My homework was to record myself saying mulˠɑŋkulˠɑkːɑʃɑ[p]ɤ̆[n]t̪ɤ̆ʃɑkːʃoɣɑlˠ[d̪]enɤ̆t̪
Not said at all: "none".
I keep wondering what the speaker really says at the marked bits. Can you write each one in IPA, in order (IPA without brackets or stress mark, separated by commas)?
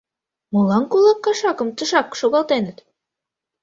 k, m, t̪